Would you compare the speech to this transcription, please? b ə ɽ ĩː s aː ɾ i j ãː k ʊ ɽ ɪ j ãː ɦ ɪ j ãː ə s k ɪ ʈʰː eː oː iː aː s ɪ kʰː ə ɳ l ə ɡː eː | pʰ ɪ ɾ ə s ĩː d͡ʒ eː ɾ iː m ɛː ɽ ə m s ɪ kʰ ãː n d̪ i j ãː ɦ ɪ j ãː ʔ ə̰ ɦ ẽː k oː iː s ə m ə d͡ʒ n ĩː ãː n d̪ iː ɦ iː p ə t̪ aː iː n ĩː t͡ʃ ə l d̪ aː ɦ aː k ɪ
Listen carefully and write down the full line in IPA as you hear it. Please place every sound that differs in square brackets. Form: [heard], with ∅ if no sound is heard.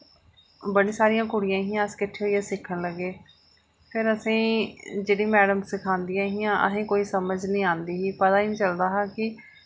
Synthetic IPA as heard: b ə ɽ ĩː s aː ɾ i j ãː k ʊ ɽ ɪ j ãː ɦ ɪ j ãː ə s k ɪ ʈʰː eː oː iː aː s ɪ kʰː ə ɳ l ə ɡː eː | pʰ ɪ ɾ ə s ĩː d͡ʒ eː [ɽ] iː m ɛː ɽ ə m s ɪ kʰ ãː n d̪ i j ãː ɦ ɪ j ãː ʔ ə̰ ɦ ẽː k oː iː s ə m ə d͡ʒ n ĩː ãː n d̪ iː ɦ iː p ə t̪ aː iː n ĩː t͡ʃ ə l d̪ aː ɦ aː k ɪ